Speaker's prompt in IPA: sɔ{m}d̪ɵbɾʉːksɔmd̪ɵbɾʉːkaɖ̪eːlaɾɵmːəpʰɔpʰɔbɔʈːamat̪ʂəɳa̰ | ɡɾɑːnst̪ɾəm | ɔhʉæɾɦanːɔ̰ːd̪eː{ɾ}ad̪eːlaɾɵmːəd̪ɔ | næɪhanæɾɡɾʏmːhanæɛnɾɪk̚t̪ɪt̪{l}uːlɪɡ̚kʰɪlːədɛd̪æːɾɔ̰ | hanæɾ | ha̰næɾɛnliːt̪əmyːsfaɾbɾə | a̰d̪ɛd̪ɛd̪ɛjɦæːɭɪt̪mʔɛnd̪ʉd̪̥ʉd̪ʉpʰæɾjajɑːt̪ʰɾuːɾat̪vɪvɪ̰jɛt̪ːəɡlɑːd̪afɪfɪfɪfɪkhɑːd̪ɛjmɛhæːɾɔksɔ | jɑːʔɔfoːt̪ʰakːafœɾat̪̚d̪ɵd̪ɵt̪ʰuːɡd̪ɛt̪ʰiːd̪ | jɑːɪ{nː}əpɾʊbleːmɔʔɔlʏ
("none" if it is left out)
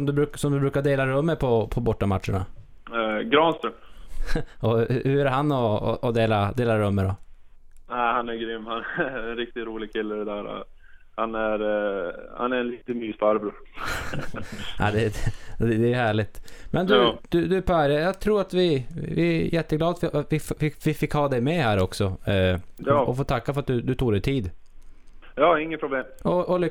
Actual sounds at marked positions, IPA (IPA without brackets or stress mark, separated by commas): m, l, ɾ, ŋː